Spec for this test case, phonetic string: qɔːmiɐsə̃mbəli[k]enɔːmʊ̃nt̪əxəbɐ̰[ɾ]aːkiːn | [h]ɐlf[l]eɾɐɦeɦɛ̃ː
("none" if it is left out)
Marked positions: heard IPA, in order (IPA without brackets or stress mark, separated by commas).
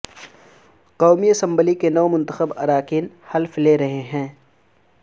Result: k, ɾ, h, l